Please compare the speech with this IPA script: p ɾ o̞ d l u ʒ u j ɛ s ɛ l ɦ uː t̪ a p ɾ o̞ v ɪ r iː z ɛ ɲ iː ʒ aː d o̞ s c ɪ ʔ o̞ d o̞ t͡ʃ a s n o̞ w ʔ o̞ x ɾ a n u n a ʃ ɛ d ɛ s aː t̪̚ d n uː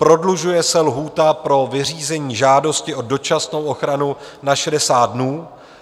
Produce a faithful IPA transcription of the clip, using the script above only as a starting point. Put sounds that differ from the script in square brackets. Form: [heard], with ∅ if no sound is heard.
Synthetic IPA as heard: p ɾ o̞ d l u ʒ u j ɛ s ɛ l ɦ uː t̪ a p ɾ o̞ v ɪ r iː z ɛ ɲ iː ʒ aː d o̞ s c ɪ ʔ o̞ d o̞ t͡ʃ a s n o̞ w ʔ o̞ x ɾ a n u n a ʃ ɛ d ɛ s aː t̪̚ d n uː